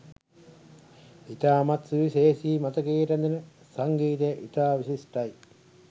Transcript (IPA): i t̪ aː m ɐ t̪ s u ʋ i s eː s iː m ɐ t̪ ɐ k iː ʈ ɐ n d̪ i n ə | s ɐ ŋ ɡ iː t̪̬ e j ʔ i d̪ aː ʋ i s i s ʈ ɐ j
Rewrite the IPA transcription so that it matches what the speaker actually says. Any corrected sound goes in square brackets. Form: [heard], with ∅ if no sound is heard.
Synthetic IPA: i t̪ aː m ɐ t̪ s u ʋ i s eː s iː m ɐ t̪ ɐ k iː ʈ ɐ n d̪ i n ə | s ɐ ŋ ɡ iː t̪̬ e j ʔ i [t̪] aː ʋ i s i s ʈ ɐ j